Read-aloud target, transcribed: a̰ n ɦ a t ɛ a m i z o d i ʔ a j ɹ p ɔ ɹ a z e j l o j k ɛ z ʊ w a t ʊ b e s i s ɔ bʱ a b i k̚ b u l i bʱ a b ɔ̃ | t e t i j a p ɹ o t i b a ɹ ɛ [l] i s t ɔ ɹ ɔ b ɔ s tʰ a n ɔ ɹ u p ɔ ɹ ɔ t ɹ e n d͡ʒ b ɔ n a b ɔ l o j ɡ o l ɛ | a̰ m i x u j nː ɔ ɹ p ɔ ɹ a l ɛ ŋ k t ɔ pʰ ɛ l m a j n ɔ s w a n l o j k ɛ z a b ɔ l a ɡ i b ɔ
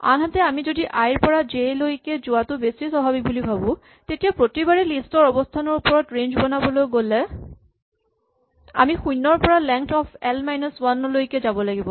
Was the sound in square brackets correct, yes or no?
yes